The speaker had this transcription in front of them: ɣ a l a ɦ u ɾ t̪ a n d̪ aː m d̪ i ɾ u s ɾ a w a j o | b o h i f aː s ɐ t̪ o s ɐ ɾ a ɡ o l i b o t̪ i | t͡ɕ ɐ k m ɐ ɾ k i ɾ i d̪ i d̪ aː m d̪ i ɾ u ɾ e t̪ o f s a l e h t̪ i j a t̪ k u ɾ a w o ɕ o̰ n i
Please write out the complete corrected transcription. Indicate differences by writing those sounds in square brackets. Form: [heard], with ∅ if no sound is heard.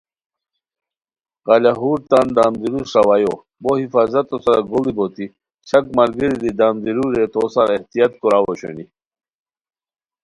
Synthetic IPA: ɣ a l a ɦ u ɾ t̪ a n d̪ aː m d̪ i ɾ u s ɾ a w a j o | b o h i f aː [z] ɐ t̪ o s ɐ ɾ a ɡ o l i b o t̪ i | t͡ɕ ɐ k m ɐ ɾ [ɡ] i ɾ i d̪ i d̪ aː m d̪ i ɾ u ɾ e t̪ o [∅] s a [ɾ] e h t̪ i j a t̪ k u ɾ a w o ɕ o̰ n i